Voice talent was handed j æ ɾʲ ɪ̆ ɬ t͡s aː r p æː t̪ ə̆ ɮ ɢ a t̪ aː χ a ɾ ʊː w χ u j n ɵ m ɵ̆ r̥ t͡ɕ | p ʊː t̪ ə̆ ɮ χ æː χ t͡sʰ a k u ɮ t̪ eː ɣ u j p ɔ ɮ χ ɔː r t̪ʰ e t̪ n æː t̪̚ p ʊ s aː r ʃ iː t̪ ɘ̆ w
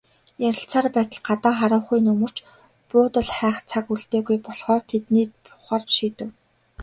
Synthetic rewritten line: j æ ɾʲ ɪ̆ ɬ t͡s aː r p æː t̪ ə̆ ɮ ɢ a t̪ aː χ a ɾ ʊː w χ u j n ɵ m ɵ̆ r̥ t͡ɕ | p ʊː t̪ ə̆ ɮ χ æː χ t͡sʰ a k u ɮ t̪ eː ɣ u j p ɔ ɮ χ ɔː r t̪ʰ e t̪ n iː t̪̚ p ʊ χ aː r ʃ iː t̪ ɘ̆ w